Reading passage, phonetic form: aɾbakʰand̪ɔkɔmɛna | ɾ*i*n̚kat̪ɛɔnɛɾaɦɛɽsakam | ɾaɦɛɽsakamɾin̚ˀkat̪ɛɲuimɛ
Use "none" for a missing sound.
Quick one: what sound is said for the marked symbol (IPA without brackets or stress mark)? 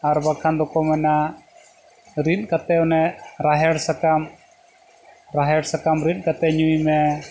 i